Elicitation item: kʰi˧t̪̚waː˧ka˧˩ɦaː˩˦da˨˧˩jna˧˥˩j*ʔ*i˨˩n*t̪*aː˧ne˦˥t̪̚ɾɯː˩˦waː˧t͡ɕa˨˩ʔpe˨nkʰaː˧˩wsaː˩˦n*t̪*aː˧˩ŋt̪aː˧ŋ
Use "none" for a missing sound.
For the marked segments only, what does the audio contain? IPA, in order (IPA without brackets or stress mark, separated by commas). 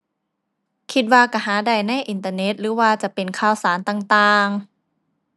ʔ, t̪, t̪